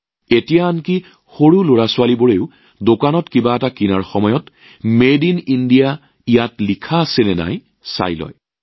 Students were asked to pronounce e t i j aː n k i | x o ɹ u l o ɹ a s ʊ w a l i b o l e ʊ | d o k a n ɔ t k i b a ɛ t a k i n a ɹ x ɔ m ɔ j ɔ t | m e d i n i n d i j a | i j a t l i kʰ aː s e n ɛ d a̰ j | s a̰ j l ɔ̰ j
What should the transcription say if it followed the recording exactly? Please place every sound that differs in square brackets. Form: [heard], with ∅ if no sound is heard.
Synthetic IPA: e t i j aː n k i | x o ɹ u l o ɹ a s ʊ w a l i b o [ɹ] e ʊ | d o k a n ɔ t k i b a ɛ t a k i n a ɹ x ɔ m ɔ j ɔ t | m e d i n i n d i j a | i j a t l i kʰ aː s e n ɛ [n] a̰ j | s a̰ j l ɔ̰ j